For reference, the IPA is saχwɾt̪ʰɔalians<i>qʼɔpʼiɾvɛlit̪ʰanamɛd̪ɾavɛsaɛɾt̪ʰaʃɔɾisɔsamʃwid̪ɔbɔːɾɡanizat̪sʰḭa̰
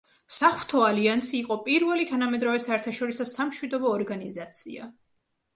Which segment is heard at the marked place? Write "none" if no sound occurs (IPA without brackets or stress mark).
iː